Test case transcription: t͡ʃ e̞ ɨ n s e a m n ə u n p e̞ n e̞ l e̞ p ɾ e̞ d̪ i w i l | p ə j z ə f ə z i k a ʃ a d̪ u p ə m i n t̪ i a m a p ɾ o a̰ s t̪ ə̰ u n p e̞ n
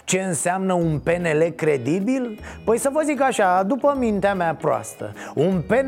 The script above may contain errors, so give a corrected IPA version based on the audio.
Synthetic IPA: t͡ʃ e̞ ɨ n s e a m n ə u n p e̞ n e̞ l e̞ k ɾ e̞ d̪ i b i l | p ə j s ə v ə z i k a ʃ a d̪ u p ə m i n t̪ e a m a p ɾ o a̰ s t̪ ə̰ u n p e̞ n